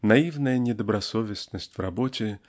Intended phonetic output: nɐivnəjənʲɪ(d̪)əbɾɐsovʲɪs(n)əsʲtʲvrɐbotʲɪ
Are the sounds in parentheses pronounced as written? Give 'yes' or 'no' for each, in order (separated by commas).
yes, yes